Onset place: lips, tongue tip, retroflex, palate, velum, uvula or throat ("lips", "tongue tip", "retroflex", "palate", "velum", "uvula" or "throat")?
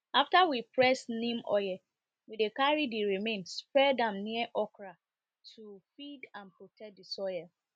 lips